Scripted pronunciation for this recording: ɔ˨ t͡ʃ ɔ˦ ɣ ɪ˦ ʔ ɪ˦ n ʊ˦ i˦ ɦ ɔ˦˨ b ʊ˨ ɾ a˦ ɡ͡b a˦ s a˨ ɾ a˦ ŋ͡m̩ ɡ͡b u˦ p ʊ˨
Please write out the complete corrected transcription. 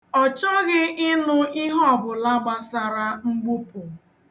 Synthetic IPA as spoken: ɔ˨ t͡ʃ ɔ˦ ɣ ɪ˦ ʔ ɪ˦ n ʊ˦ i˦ ɦ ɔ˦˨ b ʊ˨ l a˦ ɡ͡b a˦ s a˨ ɾ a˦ ŋ͡m̩ ɡ͡b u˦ p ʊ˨